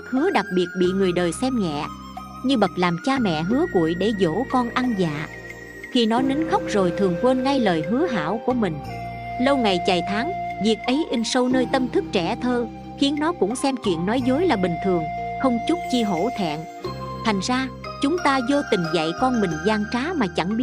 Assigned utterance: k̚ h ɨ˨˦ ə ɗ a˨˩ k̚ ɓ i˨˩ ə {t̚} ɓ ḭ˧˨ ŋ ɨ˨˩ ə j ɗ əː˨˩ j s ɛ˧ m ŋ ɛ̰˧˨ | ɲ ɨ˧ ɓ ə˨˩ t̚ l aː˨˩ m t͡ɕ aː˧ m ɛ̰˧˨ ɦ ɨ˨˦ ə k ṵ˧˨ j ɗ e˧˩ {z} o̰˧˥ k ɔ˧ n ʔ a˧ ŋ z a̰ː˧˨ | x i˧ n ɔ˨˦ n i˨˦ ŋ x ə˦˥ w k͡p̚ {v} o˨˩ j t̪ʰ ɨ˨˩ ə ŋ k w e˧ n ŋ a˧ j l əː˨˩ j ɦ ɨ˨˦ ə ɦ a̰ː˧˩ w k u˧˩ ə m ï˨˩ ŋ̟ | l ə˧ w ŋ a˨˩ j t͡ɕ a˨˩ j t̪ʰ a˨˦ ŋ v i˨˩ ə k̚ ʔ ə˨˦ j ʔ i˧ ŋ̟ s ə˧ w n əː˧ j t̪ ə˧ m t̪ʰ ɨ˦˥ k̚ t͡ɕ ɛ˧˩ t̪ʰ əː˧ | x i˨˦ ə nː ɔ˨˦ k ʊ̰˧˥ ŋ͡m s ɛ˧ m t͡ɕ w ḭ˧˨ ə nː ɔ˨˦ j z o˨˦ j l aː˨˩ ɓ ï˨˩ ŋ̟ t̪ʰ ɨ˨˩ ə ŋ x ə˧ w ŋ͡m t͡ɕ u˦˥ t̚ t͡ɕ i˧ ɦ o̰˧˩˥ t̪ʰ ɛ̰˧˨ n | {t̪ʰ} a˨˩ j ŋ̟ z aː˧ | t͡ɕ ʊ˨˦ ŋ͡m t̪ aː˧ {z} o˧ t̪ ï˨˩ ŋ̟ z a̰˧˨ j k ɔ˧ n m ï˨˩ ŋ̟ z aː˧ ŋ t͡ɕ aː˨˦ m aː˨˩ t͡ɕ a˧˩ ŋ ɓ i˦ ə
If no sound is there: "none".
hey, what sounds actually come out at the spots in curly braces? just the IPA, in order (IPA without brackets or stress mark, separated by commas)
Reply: t̚, z, z, t̪ʰ, z